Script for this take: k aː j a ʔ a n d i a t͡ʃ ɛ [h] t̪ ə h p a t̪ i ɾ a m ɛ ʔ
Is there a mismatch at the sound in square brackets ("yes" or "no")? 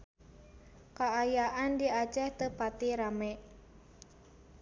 no